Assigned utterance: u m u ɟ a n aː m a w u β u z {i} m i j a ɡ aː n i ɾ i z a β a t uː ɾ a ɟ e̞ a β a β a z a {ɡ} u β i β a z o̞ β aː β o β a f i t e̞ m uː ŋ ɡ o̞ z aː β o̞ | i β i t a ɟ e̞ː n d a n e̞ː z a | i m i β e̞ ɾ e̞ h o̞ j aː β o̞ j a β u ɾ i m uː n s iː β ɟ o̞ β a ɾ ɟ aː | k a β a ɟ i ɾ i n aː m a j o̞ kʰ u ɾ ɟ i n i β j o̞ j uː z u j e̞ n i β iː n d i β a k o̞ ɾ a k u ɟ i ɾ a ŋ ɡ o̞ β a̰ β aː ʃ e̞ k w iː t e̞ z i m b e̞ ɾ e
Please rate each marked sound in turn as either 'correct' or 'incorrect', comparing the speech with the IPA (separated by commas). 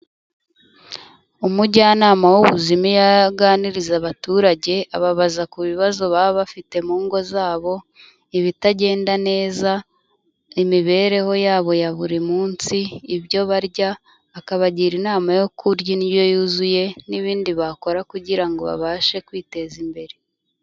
correct, incorrect